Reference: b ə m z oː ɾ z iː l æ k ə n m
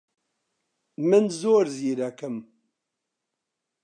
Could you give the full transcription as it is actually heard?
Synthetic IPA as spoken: m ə n z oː ɾ z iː ɾ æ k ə m